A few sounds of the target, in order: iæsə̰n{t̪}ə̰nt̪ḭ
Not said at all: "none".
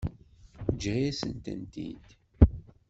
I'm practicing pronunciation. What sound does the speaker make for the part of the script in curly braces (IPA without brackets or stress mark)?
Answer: t̪